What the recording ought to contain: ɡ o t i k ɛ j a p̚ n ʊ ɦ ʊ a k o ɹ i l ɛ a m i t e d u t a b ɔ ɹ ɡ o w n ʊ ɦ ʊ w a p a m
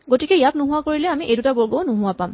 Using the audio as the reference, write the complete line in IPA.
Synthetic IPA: ɡ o t i k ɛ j a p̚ n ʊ ɦ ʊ a k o ɹ i l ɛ a m i ʔ e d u t a b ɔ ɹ ɡ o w n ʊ ɦ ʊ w a p a m